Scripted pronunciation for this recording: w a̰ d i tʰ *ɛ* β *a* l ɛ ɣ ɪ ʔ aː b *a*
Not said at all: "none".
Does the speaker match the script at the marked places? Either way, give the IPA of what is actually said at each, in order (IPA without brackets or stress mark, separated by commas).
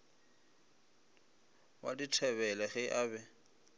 ɛ, ɛ, ɛ